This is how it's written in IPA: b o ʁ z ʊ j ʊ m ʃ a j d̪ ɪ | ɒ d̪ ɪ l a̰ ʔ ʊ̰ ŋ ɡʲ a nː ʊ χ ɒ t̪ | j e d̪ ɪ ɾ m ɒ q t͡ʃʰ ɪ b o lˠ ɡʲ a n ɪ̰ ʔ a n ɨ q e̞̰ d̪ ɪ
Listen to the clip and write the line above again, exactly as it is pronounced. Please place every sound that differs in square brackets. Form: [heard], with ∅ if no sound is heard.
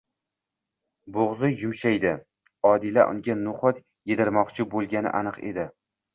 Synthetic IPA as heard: b o ʁ z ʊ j ʊ m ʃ a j d̪ ɪ | ɒ d̪ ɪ l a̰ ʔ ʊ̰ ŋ ɡʲ a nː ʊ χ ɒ t̪ | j e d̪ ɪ ɾ m ɒ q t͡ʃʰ ɪ b o lˠ ɡʲ a n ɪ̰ ʔ a n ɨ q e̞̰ d̪ ɪ